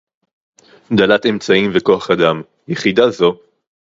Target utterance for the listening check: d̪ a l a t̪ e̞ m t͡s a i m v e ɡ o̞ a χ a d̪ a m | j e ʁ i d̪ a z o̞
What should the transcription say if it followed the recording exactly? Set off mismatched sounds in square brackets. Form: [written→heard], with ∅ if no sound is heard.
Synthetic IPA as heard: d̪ a l a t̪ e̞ m t͡s a i m v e [ɡ→k] o̞ a χ a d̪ a m | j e [ʁ→χ] i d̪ a z o̞